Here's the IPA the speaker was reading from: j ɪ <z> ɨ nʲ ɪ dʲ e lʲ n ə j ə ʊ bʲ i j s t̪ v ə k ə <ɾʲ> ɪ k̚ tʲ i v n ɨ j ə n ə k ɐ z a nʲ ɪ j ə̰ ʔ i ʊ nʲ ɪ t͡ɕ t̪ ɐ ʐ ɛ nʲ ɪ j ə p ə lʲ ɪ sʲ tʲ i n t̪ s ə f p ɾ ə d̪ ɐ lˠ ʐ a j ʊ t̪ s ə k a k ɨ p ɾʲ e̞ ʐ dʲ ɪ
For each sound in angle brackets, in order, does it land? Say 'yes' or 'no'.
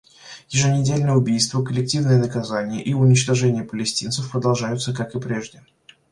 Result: no, no

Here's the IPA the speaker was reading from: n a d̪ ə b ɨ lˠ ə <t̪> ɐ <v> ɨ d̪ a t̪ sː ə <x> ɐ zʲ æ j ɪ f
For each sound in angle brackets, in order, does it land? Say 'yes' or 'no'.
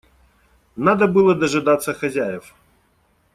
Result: no, no, yes

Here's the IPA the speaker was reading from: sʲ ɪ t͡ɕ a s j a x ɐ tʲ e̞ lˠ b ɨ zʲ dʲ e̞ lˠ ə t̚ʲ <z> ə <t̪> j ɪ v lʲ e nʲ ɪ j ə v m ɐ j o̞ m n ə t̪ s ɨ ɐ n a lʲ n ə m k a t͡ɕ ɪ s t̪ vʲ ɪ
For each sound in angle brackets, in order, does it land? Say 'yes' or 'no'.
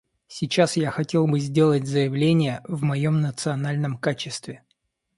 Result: yes, no

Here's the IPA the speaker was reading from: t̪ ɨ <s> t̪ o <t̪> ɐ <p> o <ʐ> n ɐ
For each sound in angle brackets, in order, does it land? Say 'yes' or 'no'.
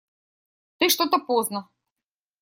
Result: no, yes, yes, no

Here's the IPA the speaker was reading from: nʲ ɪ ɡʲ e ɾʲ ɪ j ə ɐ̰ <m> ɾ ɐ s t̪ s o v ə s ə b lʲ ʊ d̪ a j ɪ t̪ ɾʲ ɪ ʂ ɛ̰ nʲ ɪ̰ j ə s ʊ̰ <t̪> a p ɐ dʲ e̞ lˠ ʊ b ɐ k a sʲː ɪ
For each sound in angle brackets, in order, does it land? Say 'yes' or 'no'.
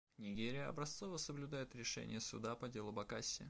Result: no, no

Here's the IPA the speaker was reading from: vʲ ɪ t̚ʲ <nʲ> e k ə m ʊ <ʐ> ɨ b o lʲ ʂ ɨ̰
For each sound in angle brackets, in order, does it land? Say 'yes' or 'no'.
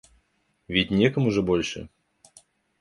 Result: yes, yes

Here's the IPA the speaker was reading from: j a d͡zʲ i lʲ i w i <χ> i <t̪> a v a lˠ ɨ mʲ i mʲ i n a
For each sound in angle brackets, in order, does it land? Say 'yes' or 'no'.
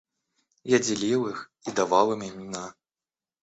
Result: no, no

